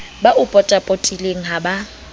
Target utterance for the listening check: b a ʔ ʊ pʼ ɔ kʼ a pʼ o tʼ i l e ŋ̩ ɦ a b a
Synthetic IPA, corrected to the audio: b a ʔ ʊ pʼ ɔ tʼ a pʼ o tʼ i l e ŋ̩ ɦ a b a